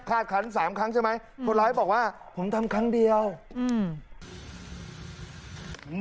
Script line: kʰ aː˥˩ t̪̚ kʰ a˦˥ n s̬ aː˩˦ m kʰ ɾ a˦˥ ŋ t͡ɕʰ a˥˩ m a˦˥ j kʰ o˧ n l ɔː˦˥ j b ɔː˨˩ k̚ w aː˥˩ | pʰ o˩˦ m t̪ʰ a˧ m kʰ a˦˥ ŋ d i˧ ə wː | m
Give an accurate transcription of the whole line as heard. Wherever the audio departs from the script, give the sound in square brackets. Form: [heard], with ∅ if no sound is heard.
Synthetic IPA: kʰ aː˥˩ t̪̚ kʰ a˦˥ n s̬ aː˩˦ m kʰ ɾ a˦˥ ŋ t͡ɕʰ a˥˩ m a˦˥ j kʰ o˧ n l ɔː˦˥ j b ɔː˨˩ k̚ w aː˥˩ | pʰ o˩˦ m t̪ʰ a˧ m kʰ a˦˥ ŋ d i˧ ə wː | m